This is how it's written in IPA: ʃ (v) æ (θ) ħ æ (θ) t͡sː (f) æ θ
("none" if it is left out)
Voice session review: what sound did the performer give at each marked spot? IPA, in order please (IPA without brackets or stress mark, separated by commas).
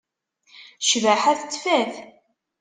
v, none, θ, f